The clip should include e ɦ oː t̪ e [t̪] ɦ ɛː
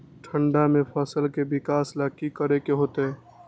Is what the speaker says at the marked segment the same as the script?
no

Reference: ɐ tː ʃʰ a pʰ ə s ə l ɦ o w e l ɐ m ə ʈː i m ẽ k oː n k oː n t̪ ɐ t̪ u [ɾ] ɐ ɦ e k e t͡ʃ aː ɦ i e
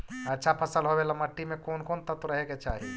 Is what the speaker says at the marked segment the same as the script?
yes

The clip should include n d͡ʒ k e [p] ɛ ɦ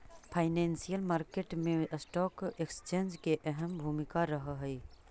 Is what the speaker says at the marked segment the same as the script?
no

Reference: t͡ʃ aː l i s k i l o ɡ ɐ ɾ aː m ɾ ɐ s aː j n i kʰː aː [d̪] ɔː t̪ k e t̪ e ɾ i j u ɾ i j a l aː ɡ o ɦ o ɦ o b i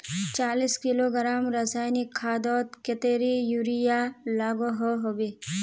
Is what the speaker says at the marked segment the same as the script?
yes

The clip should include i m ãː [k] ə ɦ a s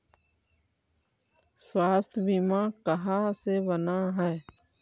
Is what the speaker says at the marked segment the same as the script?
yes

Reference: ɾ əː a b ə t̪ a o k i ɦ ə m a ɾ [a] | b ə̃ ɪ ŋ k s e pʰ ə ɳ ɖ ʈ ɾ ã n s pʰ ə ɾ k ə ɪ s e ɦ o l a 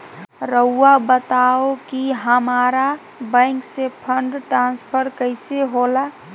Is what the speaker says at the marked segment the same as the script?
yes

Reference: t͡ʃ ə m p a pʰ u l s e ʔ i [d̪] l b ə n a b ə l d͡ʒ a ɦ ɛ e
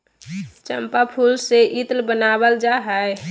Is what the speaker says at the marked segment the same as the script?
no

